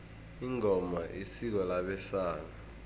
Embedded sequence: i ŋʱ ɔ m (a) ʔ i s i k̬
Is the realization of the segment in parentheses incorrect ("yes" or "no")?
no